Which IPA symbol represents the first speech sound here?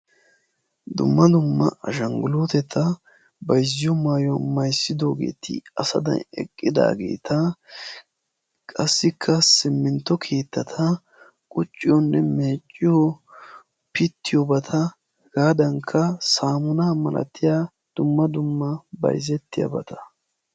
d̪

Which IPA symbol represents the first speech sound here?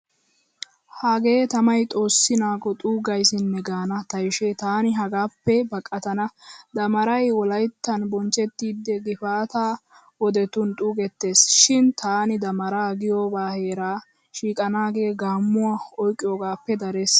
h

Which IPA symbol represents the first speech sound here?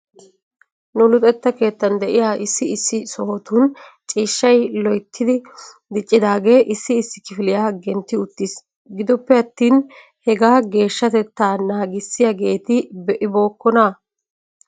n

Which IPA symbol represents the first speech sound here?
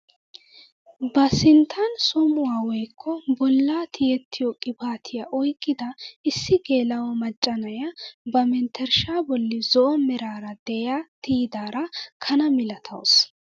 b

